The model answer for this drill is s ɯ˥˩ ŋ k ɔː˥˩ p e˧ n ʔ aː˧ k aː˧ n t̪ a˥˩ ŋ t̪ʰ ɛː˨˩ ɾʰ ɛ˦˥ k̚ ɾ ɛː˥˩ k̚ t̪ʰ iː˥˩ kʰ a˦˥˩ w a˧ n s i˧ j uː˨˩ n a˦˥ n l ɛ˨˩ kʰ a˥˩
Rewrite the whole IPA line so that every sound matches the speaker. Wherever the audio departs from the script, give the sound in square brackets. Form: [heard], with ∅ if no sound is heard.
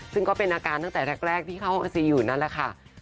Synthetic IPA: s ɯ˥˩ ŋ k ɔː˥˩ p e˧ n ʔ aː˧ k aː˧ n t̪ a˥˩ ŋ [t̪] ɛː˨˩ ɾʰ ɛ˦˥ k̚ ɾ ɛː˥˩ k̚ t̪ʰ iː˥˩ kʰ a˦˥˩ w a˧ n s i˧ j uː˨˩ n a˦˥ n l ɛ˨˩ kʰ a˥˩